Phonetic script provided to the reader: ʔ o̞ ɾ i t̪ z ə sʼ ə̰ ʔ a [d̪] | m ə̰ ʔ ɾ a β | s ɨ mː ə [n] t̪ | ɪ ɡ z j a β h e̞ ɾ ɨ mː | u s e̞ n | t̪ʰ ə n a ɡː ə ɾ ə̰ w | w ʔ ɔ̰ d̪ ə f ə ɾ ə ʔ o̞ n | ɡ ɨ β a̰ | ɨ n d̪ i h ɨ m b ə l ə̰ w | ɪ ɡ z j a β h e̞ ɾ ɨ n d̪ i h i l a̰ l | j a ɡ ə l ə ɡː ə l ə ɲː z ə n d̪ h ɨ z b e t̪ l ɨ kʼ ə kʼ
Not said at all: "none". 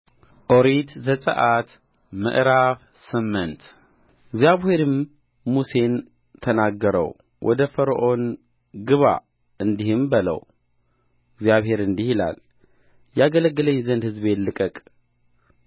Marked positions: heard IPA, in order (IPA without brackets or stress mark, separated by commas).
t̪, n